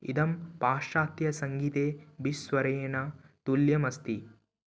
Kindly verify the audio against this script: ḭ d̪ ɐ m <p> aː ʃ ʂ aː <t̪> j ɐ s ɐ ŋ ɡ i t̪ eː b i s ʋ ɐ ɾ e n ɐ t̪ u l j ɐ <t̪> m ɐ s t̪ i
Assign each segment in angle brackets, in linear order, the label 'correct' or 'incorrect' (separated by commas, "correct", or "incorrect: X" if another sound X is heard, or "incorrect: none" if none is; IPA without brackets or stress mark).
correct, correct, incorrect: none